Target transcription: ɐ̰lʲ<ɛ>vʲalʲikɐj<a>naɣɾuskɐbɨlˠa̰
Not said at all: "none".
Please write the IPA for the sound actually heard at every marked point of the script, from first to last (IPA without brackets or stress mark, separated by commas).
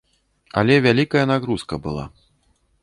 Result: ɛ, ɐ